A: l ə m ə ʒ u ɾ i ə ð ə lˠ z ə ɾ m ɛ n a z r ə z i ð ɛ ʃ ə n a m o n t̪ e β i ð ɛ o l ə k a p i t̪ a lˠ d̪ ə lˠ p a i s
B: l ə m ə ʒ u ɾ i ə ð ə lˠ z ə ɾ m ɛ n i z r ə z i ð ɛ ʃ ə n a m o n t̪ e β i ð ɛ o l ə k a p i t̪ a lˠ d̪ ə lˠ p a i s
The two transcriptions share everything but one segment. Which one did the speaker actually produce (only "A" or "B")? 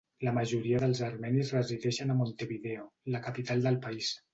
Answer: B